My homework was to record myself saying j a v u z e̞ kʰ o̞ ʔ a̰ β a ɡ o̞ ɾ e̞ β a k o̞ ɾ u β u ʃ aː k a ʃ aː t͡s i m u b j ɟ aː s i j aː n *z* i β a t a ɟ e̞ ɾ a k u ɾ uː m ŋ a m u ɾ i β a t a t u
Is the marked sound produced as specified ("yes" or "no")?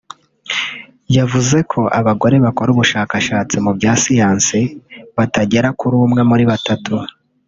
no